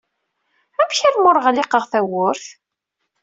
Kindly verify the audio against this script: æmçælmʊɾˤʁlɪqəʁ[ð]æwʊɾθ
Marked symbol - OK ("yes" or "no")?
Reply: no